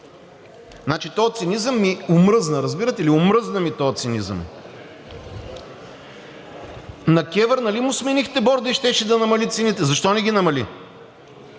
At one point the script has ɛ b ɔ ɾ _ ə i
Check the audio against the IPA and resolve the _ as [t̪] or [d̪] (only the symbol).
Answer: d̪